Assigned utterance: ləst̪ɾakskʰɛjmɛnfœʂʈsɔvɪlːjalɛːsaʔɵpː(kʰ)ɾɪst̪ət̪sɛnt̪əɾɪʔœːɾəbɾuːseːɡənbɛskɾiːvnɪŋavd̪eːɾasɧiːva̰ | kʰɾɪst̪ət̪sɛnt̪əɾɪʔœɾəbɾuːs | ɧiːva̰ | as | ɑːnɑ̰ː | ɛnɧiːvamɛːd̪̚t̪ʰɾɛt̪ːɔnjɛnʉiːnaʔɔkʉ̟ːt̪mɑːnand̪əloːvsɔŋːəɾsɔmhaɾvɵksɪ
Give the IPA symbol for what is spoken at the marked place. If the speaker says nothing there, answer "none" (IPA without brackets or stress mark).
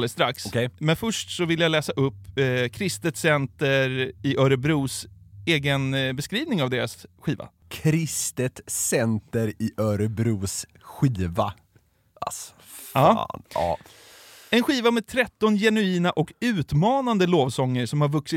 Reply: kʰ